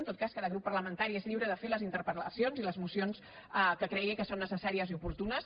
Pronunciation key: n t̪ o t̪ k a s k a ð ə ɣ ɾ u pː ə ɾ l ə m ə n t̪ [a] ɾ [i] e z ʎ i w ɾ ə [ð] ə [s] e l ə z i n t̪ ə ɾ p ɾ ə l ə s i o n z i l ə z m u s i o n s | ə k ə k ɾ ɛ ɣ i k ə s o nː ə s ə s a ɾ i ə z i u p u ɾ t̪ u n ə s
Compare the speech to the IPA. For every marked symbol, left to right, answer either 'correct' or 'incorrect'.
correct, correct, correct, incorrect: f

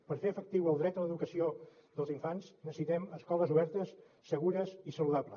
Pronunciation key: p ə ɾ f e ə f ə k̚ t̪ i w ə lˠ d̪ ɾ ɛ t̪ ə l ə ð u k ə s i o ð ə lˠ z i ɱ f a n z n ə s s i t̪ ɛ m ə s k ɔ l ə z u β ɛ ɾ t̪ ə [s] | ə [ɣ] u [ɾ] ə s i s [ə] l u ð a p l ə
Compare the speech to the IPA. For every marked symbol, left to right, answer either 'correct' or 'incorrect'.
incorrect: sː, correct, correct, correct

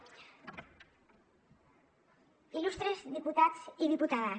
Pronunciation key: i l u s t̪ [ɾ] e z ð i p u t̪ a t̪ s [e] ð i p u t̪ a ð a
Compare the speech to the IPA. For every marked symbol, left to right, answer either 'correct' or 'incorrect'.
correct, incorrect: i

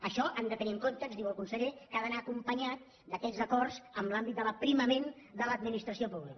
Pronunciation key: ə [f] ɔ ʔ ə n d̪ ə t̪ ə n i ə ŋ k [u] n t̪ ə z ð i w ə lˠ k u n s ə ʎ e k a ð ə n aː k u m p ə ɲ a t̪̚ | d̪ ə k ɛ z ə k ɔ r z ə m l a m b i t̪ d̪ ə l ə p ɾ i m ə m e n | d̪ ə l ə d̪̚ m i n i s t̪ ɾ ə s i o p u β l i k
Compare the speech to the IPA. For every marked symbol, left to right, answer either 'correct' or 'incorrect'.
incorrect: ʃ, incorrect: o

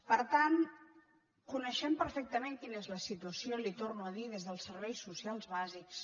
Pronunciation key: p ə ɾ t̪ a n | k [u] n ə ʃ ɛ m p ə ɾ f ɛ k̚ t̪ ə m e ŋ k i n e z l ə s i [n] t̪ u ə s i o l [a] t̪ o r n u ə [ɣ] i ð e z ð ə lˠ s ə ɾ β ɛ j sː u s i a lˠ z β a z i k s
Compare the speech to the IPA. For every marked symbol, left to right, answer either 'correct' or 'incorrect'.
correct, incorrect: none, incorrect: i, incorrect: ð

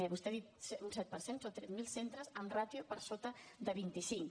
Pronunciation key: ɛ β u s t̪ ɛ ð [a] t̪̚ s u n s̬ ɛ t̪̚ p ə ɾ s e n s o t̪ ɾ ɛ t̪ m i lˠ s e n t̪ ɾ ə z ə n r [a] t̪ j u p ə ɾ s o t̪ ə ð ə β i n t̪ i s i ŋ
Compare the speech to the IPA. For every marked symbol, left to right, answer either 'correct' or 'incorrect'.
incorrect: i, correct

